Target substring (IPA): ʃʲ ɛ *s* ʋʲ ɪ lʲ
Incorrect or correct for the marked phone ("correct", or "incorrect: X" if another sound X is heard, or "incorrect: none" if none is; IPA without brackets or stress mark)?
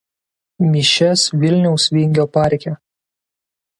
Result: correct